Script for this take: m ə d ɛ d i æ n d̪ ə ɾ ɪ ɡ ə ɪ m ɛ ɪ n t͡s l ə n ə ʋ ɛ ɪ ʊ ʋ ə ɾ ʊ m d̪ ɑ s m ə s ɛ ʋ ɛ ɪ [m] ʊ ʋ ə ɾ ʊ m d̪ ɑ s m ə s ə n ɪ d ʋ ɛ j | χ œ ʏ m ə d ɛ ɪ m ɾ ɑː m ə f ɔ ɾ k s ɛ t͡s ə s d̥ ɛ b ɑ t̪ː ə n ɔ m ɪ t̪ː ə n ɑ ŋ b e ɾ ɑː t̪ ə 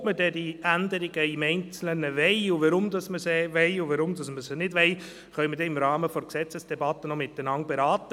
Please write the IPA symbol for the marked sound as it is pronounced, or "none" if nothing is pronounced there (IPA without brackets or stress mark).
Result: none